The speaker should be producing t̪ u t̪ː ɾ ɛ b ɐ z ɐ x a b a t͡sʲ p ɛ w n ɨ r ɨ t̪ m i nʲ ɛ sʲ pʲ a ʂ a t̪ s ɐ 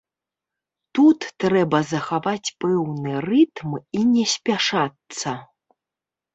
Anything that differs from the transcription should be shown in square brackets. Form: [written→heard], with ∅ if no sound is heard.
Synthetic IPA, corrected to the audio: t̪ u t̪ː ɾ ɛ b ɐ z ɐ x a [b→v] a t͡sʲ p ɛ w n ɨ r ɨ t̪ m i nʲ ɛ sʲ pʲ a ʂ a t̪ s ɐ